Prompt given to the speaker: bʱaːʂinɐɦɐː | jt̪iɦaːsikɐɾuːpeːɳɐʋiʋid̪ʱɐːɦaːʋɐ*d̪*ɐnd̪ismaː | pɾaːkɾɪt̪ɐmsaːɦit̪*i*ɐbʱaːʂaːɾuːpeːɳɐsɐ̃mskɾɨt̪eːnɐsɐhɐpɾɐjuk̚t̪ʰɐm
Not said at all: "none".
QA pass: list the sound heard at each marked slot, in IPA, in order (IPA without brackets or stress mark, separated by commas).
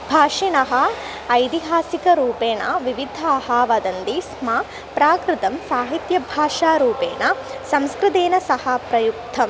d̪, j